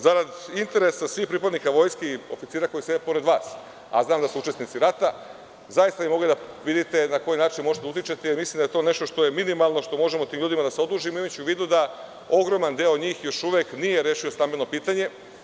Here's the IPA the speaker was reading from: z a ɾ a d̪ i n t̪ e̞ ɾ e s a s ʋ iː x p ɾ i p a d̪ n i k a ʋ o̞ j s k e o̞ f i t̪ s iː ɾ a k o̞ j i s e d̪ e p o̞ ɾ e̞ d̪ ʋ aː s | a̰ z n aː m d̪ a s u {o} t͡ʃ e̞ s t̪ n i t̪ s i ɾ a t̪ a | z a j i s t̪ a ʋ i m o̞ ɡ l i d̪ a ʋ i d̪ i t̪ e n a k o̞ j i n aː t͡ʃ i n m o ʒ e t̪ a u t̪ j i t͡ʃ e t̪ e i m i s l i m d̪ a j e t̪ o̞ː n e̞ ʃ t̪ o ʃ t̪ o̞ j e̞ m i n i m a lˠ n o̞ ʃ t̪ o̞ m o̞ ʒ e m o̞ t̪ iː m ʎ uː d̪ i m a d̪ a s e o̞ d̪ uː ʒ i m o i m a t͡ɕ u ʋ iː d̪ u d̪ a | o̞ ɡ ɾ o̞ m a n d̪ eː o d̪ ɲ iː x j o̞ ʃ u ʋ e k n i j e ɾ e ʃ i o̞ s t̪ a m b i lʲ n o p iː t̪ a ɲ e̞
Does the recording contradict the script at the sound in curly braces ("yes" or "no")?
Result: yes